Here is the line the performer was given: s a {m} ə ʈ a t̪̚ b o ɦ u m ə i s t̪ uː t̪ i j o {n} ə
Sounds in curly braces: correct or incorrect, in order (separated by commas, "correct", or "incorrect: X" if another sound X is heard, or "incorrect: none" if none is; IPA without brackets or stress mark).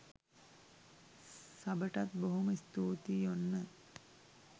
incorrect: b, incorrect: nː